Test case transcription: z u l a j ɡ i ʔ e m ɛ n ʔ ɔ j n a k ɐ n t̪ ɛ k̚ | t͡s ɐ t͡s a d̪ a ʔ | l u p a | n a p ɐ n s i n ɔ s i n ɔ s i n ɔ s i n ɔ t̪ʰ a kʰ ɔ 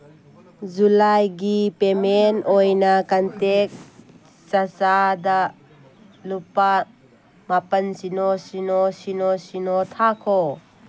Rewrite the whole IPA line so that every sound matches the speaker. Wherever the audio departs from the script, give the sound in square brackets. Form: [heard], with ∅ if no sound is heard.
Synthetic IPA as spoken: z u l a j ɡ i [p] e m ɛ n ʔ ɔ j n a k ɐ n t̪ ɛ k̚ | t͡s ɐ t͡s a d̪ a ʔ | l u p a | [m] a p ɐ n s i n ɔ s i n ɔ s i n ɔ s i n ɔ t̪ʰ a kʰ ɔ